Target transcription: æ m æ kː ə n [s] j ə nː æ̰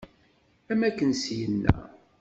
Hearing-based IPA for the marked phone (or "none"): s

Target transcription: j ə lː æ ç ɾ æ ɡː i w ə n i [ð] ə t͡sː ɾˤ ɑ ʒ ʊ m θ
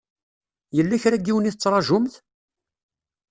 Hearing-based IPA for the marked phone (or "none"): θ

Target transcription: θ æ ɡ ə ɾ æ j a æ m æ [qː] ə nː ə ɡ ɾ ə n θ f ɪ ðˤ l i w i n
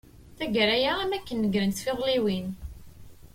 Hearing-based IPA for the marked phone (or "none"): kː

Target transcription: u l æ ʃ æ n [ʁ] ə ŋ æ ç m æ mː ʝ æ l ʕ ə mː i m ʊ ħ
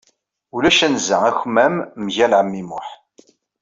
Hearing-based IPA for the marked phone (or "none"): z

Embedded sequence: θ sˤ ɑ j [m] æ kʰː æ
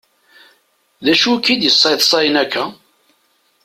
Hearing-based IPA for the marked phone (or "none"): n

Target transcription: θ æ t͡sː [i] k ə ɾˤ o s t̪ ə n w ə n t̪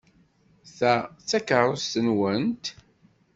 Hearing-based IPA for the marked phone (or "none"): æ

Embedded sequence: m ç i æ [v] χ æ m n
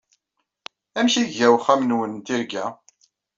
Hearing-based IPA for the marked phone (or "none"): w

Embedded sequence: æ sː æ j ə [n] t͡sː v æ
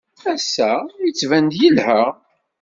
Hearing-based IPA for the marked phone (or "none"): none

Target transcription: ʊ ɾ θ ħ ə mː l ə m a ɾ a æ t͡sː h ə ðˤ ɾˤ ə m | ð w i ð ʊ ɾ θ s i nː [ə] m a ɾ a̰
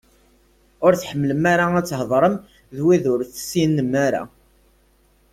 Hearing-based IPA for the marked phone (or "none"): ə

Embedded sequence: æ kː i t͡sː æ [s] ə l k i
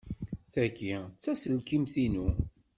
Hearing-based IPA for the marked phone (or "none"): s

